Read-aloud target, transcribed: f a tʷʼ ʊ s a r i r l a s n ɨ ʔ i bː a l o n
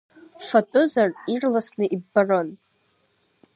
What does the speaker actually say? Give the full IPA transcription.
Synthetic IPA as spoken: f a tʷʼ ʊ z a r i r l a s n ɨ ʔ i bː a r o n